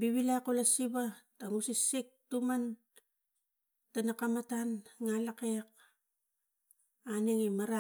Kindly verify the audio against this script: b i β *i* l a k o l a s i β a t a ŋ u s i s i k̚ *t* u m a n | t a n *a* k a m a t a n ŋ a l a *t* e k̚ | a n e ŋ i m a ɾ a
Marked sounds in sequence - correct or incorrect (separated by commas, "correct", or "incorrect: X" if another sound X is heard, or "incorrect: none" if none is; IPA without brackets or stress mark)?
correct, correct, correct, incorrect: k